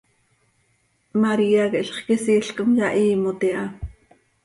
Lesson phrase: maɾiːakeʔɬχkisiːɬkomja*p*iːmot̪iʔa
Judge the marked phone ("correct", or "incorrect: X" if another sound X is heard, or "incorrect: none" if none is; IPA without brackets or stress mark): incorrect: ʔ